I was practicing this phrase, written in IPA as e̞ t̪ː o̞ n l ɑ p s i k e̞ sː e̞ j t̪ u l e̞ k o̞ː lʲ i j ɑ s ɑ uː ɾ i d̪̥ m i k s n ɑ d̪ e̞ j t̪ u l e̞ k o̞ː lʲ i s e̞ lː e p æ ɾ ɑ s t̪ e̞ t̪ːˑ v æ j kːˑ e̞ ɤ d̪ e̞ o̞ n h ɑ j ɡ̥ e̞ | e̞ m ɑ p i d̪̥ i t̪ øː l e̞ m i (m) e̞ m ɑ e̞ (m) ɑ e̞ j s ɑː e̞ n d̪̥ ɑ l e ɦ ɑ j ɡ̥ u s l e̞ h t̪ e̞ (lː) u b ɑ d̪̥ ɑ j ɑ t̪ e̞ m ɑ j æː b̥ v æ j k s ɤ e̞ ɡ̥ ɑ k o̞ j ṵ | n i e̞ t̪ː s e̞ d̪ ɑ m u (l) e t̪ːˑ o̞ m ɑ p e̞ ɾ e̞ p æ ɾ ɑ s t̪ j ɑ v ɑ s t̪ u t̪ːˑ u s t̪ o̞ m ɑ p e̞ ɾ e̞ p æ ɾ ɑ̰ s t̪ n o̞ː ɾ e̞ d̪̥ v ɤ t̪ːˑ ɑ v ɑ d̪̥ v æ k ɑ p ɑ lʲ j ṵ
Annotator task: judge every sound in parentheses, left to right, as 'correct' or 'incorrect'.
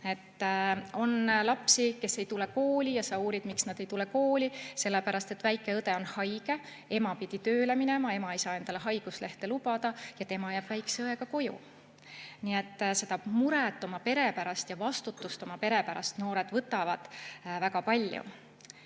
incorrect: n, correct, incorrect: l, incorrect: ɾ

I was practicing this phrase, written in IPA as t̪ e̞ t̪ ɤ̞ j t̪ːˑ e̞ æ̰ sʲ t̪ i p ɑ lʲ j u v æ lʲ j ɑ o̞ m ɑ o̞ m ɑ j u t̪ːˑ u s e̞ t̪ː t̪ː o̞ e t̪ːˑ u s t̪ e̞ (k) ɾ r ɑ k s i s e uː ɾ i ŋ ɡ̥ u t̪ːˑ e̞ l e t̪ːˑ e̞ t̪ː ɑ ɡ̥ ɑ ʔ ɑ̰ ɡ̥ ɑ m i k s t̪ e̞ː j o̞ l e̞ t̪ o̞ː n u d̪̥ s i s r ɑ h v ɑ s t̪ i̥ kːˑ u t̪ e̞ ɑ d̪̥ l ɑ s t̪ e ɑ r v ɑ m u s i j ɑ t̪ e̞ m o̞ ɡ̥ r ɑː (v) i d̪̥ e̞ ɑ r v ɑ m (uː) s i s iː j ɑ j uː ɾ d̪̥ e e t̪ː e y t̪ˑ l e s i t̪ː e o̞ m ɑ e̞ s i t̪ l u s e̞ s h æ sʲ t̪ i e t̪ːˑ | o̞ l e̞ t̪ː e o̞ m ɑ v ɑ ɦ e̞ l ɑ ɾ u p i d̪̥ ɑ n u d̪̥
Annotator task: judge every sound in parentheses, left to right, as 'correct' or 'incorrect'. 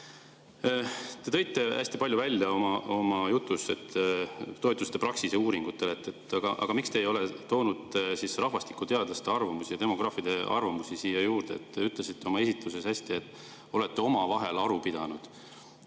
incorrect: p, incorrect: f, incorrect: u

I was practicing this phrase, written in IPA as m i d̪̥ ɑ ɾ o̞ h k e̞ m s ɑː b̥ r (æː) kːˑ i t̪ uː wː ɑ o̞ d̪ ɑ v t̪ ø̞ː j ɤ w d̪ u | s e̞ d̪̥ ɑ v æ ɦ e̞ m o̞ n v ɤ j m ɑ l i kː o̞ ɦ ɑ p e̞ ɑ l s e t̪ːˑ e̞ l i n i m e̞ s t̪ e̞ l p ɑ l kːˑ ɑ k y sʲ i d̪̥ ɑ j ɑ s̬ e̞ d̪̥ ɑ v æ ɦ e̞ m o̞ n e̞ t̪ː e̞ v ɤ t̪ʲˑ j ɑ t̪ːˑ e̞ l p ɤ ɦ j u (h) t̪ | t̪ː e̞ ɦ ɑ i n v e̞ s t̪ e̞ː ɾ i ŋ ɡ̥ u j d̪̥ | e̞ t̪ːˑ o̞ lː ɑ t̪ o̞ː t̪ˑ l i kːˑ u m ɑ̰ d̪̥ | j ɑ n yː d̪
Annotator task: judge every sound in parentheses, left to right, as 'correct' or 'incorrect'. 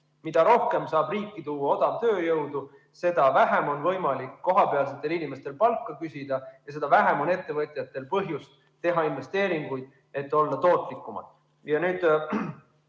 incorrect: iː, incorrect: s

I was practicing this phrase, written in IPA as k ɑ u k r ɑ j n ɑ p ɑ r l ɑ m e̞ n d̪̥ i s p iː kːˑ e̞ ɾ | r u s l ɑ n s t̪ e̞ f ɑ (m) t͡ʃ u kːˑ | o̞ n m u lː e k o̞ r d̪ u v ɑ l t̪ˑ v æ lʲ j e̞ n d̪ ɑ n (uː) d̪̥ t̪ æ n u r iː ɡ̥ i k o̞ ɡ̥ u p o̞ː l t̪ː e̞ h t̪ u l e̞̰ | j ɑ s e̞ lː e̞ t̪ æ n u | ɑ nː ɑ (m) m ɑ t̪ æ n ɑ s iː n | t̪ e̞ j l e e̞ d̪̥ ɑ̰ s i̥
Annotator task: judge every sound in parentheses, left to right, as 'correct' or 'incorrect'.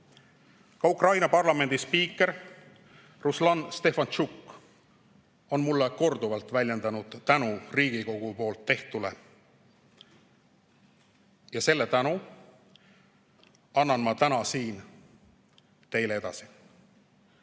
incorrect: n, incorrect: u, incorrect: n

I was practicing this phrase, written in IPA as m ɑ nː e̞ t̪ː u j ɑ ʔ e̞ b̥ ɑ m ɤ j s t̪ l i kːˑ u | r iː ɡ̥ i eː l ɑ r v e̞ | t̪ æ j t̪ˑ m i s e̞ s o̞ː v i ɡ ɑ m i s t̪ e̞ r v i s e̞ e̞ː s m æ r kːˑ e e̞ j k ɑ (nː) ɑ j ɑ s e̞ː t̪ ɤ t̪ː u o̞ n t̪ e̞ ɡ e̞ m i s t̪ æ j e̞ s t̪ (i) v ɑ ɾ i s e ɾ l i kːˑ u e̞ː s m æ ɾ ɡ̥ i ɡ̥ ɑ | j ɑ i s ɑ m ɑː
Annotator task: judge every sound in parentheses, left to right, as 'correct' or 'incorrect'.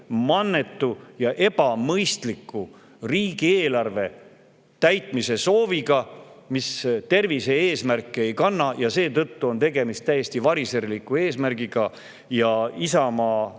correct, correct

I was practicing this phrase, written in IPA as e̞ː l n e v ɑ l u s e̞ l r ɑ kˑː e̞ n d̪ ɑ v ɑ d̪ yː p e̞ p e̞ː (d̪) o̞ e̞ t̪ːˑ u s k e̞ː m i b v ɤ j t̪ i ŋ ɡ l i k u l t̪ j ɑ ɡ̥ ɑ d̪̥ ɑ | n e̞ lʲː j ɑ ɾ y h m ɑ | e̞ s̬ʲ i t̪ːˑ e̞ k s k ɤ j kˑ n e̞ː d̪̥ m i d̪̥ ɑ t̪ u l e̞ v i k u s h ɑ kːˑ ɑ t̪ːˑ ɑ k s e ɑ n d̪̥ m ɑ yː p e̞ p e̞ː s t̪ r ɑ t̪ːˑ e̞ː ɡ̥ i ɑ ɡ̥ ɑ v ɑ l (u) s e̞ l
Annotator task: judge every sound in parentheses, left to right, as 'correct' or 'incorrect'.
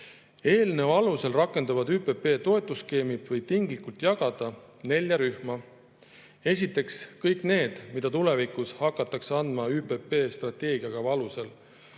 incorrect: t̪, correct

